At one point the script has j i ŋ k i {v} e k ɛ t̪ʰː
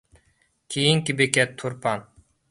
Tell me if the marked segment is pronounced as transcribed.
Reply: no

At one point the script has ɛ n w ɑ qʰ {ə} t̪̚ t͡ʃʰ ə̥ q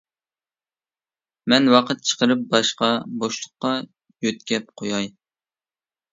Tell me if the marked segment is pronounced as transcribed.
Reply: yes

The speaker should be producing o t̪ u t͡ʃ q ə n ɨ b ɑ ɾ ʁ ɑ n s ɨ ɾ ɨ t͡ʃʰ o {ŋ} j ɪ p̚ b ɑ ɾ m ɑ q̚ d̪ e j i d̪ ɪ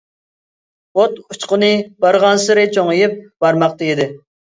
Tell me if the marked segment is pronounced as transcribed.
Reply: yes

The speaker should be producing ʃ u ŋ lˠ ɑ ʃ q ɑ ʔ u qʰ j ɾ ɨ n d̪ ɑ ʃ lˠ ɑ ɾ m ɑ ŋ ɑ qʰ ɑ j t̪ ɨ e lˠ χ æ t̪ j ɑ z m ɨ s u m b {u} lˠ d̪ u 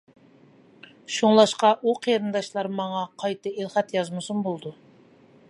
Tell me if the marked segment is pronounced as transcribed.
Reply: no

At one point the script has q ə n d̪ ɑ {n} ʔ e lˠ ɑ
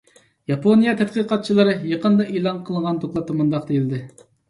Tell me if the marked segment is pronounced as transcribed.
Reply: no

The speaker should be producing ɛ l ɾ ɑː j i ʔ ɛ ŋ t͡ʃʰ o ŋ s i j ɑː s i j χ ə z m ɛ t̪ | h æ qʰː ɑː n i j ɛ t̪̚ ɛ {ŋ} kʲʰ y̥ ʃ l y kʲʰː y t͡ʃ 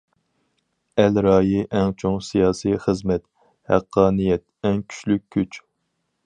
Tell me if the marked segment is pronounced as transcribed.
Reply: yes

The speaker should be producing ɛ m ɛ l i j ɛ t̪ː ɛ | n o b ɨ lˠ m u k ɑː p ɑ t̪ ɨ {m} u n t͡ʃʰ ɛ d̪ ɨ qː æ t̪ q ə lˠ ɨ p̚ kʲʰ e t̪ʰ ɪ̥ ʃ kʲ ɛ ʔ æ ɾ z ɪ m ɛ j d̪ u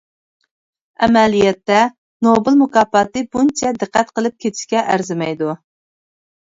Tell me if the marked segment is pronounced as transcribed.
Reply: no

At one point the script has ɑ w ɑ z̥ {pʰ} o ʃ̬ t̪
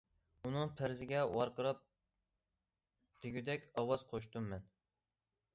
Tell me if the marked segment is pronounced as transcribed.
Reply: no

